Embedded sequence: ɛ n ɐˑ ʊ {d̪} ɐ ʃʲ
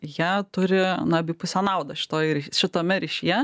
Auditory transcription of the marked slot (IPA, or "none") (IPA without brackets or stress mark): d̪